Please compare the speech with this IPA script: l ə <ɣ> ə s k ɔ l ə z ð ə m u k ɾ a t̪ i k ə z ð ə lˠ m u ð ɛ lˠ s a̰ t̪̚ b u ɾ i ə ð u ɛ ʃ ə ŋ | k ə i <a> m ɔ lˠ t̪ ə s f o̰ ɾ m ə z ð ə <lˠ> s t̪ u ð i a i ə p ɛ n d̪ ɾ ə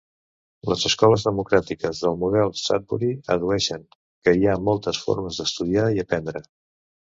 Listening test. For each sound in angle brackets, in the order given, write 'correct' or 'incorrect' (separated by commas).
incorrect, correct, incorrect